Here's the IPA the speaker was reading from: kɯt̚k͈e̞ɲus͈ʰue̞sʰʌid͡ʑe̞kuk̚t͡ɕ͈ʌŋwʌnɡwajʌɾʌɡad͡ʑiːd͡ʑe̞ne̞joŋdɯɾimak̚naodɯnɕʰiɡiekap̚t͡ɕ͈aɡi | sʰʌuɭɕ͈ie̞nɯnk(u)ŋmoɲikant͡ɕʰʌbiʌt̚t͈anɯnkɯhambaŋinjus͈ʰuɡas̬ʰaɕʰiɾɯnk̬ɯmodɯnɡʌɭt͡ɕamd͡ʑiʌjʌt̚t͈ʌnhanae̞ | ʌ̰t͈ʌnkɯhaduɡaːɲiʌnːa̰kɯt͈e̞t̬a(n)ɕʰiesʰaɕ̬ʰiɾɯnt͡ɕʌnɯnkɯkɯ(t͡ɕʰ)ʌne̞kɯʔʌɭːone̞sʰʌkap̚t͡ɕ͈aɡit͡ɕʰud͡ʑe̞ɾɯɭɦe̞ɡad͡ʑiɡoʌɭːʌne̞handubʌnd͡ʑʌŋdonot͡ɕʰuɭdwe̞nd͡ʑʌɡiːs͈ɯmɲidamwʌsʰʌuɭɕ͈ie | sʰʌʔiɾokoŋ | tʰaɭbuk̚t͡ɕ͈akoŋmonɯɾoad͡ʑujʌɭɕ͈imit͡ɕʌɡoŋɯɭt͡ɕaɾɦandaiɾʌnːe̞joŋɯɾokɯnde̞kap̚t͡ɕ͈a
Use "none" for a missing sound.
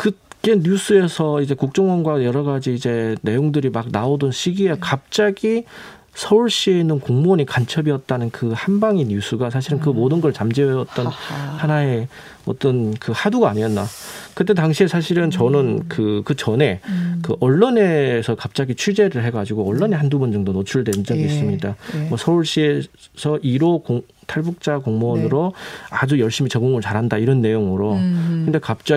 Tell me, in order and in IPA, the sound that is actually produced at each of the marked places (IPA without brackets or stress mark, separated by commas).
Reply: o, ŋ, t͡ɕ